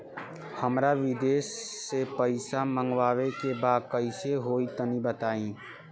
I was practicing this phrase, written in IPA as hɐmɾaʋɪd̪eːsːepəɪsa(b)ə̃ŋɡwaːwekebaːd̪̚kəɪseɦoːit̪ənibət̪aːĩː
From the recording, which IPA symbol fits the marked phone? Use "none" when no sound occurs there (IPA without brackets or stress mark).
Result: m